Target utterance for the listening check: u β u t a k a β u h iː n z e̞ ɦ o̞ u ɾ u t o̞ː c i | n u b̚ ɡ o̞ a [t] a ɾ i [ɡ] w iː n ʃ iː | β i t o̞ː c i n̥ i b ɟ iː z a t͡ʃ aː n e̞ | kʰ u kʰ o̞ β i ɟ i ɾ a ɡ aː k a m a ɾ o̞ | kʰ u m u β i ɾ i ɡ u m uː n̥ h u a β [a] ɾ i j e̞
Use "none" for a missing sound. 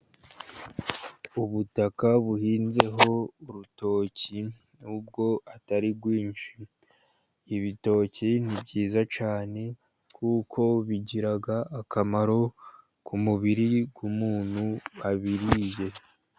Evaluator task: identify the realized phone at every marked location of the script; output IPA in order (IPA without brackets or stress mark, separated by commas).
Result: t, ɡ, i